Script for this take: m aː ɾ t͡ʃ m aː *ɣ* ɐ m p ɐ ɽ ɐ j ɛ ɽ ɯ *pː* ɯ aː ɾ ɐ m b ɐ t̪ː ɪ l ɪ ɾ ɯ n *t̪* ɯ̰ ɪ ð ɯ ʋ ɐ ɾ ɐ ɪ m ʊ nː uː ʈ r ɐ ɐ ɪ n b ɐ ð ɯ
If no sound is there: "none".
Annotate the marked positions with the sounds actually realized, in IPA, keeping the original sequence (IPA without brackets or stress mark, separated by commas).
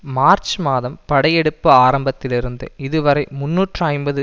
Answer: ð, pː, d̪